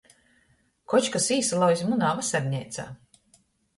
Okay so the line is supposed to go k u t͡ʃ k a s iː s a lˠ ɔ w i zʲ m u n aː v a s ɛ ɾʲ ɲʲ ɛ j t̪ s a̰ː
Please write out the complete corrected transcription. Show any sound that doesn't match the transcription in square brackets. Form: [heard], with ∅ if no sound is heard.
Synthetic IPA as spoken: k [ɔ] t͡ʃ k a s iː s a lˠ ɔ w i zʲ m u n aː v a s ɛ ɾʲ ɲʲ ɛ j t̪ s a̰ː